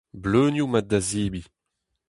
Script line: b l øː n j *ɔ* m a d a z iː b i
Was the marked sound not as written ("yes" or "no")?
yes